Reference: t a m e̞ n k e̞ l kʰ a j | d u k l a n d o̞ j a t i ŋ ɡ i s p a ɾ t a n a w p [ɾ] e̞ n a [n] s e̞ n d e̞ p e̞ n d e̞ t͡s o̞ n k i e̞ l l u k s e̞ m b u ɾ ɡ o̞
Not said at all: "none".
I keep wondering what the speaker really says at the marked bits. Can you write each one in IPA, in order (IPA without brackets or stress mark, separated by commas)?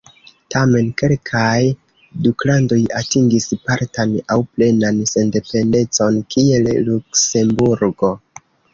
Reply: l, n